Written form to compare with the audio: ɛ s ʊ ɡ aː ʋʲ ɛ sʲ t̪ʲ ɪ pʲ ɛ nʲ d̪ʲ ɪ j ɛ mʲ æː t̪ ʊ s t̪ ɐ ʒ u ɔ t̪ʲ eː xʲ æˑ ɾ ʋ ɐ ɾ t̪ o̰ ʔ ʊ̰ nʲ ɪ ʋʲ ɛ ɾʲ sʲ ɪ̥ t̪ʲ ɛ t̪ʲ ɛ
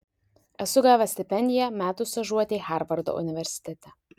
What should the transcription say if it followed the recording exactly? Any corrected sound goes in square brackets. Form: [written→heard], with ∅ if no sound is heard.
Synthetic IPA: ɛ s ʊ ɡ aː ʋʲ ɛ sʲ t̪ʲ ɪ pʲ ɛ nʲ d̪ʲ ɪ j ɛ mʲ æː t̪ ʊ s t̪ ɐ ʒ u ɔ t̪ʲ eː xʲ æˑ ɾ ʋ ɐ ɾ [t̪→d̪] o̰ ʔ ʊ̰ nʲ ɪ ʋʲ ɛ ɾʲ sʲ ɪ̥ t̪ʲ ɛ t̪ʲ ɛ

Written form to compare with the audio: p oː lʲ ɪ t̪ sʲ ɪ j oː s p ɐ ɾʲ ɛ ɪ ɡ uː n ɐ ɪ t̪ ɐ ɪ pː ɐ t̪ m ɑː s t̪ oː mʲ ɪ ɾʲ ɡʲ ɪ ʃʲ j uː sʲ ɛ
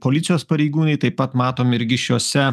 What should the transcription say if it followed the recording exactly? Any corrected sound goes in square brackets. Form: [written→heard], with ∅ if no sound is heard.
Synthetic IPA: p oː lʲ ɪ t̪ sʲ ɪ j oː s p ɐ ɾʲ ɛ ɪ ɡ uː n ɐ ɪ t̪ ɐ ɪ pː ɐ t̪ m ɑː [s→∅] t̪ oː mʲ ɪ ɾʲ ɡʲ ɪ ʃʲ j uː sʲ ɛ

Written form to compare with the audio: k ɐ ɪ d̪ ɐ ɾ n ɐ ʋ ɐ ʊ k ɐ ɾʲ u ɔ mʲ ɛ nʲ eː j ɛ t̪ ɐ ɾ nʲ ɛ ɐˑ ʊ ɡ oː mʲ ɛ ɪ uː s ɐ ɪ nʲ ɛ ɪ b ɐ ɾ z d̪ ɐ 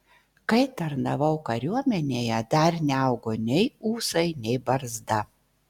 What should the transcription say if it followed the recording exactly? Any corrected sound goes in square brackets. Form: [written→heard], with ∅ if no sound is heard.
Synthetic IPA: k ɐ ɪ [d̪→t̪] ɐ ɾ n ɐ ʋ ɐ ʊ k ɐ ɾʲ u ɔ mʲ ɛ nʲ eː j ɛ [t̪→d̪] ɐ ɾ nʲ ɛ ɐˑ ʊ ɡ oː [mʲ→nʲ] ɛ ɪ uː s ɐ ɪ nʲ ɛ ɪ b ɐ ɾ z d̪ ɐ

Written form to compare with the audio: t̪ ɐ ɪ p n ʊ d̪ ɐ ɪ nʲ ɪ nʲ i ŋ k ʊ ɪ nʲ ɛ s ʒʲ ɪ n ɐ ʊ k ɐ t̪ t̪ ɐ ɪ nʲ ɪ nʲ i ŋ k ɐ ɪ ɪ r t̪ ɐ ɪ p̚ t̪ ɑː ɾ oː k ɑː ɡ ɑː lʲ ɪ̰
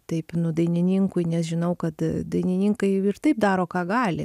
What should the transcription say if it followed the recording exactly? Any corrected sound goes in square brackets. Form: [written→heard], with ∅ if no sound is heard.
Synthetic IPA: t̪ ɐ ɪ p n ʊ d̪ ɐ ɪ nʲ ɪ nʲ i ŋ k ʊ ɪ nʲ ɛ s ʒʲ ɪ n ɐ ʊ k ɐ t̪ [t̪→d̪] ɐ ɪ nʲ ɪ nʲ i ŋ k ɐ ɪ ɪ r t̪ ɐ ɪ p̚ [t̪→d̪] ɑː ɾ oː k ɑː ɡ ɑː lʲ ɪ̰

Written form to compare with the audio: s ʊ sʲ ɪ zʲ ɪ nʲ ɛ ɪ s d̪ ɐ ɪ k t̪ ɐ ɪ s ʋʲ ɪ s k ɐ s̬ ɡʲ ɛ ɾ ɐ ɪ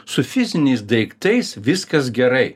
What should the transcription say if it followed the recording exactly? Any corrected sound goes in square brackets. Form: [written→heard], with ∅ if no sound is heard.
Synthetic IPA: s ʊ [sʲ→fʲ] ɪ zʲ ɪ nʲ ɛ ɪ s d̪ ɐ ɪ k t̪ ɐ ɪ s ʋʲ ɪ s k ɐ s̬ ɡʲ ɛ ɾ ɐ ɪ

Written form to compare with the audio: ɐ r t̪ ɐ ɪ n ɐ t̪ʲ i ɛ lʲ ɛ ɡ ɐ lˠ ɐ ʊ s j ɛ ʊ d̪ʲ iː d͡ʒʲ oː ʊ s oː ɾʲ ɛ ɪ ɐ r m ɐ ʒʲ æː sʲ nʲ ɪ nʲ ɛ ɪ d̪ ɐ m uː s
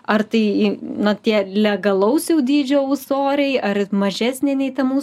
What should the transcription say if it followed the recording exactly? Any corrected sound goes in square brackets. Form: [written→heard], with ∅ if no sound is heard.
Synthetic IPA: ɐ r t̪ ɐ ɪ n ɐ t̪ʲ i ɛ lʲ ɛ ɡ ɐ lˠ ɐ ʊ s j ɛ ʊ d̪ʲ iː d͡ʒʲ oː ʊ s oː ɾʲ ɛ ɪ ɐ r m ɐ ʒʲ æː sʲ nʲ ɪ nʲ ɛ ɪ [d̪→t̪] ɐ m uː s

